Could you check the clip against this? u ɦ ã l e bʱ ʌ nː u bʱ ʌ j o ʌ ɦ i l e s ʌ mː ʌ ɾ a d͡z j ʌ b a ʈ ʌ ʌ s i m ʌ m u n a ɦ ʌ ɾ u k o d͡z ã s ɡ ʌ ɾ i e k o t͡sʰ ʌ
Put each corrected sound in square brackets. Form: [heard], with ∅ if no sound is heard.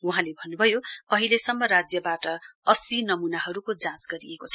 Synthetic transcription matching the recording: u ɦ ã l e bʱ ʌ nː u bʱ ʌ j o ʌ ɦ i l e s ʌ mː ʌ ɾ a d͡z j ʌ b a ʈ ʌ ʌ s i [n] ʌ m u n a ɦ ʌ ɾ u k o d͡z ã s ɡ ʌ ɾ i e k o t͡sʰ ʌ